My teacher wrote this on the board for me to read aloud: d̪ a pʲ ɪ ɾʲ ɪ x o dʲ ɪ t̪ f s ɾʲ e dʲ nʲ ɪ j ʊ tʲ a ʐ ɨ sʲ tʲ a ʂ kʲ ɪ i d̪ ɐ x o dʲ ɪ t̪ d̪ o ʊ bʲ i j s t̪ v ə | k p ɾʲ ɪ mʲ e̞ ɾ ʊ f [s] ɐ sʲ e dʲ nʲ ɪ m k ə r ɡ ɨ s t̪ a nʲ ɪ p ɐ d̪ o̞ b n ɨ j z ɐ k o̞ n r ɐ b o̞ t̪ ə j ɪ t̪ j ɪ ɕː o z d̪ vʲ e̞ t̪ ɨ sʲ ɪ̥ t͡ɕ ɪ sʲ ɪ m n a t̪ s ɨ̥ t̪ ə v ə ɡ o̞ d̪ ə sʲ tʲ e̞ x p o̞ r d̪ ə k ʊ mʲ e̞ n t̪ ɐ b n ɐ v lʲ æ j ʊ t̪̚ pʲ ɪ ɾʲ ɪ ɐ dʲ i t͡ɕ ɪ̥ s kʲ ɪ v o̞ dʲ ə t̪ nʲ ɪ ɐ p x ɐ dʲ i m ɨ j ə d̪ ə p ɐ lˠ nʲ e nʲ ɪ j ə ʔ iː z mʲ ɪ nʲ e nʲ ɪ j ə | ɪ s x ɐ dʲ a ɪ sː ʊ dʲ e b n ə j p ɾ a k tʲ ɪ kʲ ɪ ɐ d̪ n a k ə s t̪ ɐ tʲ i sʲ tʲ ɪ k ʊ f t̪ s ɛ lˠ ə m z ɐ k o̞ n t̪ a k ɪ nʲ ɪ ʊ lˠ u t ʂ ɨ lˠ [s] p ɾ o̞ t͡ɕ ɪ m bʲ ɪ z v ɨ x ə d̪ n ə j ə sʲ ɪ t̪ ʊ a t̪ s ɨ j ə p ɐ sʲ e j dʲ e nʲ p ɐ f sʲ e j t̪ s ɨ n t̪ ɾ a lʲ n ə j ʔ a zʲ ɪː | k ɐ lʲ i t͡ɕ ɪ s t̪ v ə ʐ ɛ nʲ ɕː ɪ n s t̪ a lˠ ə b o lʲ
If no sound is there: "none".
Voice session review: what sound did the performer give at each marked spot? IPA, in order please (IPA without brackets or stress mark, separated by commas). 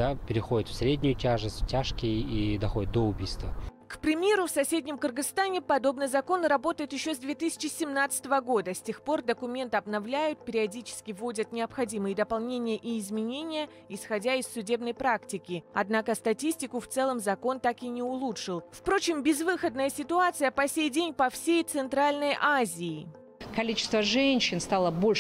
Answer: s, f